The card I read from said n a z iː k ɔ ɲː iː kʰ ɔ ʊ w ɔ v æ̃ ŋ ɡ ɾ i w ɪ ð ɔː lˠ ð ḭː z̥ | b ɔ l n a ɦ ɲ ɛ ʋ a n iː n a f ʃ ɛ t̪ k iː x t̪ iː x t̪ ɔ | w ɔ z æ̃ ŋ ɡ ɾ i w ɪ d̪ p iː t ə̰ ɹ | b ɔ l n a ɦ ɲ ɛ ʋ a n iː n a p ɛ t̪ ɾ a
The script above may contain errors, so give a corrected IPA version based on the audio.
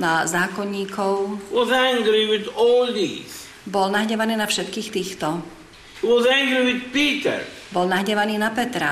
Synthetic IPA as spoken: n a z aː k ɔ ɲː iː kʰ ɔ ʊ w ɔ z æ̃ ŋ ɡ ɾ i w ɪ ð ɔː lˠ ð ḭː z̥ | b ɔ l n a ɦ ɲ ɛ ʋ a n iː n a f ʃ ɛ t̪ k iː x t̪ iː x t̪ ɔ | w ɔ z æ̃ ŋ ɡ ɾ i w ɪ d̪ p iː t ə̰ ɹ | b ɔ l n a ɦ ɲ ɛ ʋ a n iː n a p ɛ t̪ ɾ a